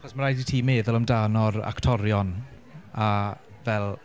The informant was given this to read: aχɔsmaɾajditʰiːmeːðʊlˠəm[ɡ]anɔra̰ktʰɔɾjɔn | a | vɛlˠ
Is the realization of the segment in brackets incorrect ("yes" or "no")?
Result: yes